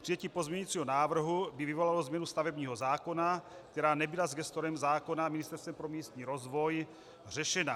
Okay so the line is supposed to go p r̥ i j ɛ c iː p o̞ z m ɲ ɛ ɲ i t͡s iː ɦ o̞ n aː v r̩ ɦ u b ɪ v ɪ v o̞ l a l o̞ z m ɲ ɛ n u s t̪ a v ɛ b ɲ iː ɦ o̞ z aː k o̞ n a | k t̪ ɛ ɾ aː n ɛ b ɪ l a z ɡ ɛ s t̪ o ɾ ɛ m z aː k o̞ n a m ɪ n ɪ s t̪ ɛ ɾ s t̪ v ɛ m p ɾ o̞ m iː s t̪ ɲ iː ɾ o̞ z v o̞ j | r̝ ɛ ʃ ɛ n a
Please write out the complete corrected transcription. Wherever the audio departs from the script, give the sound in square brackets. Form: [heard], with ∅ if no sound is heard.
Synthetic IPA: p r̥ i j ɛ c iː p o̞ z m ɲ ɛ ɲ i t͡s iː ɦ o̞ n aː v r̩ ɦ u b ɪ v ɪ v o̞ l a l o̞ z m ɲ ɛ n u s t̪ a v ɛ b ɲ iː ɦ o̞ z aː k o̞ n a | k t̪ ɛ ɾ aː n ɛ b ɪ l a z ɡ ɛ s t̪ o ɾ ɛ m z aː k o̞ n a m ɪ n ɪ s t̪ ɛ ɾ s t̪ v ɛ m p ɾ o̞ m iː s t̪ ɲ iː ɾ o̞ z v o̞ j | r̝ ɛ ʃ ɛ n a